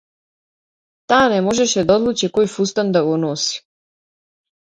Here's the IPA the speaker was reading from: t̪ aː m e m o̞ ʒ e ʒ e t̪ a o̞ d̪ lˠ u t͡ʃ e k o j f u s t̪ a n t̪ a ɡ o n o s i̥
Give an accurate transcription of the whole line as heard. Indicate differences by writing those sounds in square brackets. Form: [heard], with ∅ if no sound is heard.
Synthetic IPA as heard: t̪ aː [n] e m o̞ ʒ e [ʃ] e [d̪] a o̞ d̪ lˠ u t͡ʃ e k o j f u s t̪ a n [d̪] a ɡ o n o s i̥